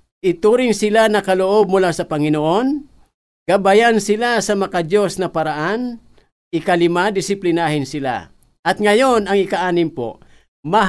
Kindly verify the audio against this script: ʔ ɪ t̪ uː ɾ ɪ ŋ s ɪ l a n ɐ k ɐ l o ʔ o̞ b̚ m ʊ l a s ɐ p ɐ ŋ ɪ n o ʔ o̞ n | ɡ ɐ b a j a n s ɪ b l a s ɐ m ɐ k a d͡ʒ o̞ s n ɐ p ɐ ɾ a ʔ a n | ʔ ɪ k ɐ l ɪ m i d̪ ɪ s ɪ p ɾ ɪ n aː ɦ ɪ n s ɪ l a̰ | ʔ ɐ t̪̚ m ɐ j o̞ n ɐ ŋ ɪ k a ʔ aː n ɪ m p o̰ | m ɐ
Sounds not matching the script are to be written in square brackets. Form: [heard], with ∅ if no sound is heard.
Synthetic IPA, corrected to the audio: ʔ ɪ t̪ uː ɾ ɪ ŋ s ɪ l a n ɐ k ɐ l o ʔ o̞ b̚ m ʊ l a s ɐ p ɐ ŋ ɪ n o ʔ o̞ n | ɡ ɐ b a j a n s ɪ [∅] l a s ɐ m ɐ k a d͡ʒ o̞ s n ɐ p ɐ ɾ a ʔ a n | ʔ ɪ k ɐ l ɪ m [a] d̪ ɪ s ɪ p [l] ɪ n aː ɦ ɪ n s ɪ l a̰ | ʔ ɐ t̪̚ [ŋ] ɐ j o̞ n ɐ ŋ ɪ k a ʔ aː n ɪ m p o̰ | m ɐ